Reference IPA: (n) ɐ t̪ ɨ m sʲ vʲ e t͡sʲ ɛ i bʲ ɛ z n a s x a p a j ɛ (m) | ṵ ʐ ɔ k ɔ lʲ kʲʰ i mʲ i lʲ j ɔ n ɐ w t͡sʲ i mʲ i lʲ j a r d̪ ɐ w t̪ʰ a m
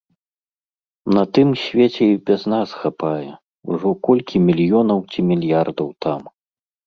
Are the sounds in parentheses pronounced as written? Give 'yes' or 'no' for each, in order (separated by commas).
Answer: yes, no